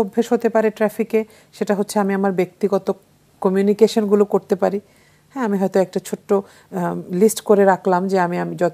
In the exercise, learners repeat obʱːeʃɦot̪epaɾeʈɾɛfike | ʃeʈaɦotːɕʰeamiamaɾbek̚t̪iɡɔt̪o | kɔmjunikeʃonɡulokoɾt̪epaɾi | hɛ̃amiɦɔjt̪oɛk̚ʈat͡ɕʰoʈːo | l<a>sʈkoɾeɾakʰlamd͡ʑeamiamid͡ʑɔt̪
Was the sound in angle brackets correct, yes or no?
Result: no